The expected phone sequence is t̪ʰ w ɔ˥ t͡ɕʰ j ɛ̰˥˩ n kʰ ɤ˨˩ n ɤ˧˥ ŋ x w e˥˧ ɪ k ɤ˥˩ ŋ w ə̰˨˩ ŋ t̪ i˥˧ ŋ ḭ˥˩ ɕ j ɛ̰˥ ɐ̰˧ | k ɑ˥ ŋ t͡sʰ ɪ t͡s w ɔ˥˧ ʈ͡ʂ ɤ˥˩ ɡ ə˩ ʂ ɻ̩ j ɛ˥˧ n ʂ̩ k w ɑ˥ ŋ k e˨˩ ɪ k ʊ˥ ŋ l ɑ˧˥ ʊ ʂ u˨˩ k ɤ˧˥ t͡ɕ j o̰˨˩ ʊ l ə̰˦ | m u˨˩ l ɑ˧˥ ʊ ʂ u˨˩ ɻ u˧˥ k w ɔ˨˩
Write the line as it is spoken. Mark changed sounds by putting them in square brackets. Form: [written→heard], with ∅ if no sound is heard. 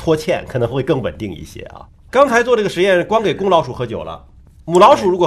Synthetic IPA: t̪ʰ w ɔ˥ t͡ɕʰ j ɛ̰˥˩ n kʰ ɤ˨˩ n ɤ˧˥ ŋ x w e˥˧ ɪ k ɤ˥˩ ŋ w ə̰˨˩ [ŋ→n] t̪ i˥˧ ŋ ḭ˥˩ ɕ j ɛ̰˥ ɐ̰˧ | k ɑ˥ ŋ t͡sʰ ɪ t͡s w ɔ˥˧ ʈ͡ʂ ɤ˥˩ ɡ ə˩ ʂ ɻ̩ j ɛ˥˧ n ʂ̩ k w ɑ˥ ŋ k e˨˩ ɪ k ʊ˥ ŋ l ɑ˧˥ ʊ ʂ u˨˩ [k→x] ɤ˧˥ t͡ɕ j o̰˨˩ ʊ l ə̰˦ | m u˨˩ l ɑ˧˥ ʊ ʂ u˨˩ ɻ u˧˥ k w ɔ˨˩